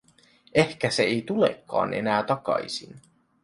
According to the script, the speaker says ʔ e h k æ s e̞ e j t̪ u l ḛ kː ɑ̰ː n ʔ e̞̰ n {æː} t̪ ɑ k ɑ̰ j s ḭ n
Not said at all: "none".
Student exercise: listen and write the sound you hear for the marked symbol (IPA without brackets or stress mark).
æː